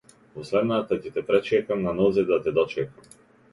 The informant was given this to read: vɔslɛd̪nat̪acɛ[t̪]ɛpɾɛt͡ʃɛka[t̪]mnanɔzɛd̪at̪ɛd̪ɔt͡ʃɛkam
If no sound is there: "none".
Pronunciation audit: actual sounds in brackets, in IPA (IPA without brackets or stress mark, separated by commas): t̪, none